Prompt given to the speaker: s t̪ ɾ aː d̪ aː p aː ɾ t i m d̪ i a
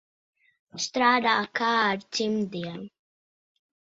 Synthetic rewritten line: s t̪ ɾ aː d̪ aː k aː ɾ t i m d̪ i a